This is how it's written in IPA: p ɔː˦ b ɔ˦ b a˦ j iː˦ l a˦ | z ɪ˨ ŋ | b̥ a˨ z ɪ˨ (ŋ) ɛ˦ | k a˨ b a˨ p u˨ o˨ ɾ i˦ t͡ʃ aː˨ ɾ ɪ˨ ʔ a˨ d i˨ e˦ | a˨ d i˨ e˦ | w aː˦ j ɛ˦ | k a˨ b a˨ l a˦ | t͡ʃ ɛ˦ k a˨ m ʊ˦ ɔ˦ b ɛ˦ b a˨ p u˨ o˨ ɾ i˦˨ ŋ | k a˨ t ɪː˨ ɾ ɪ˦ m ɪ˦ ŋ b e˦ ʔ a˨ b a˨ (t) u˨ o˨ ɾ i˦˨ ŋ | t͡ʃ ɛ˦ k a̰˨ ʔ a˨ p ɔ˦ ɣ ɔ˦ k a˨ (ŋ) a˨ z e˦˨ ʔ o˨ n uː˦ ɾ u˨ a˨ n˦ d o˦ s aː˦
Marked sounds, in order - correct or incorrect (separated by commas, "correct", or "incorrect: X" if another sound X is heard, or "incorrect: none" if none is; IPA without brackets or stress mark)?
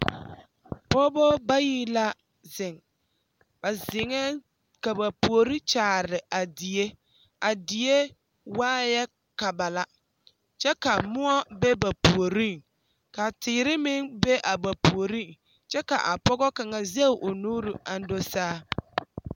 correct, incorrect: p, correct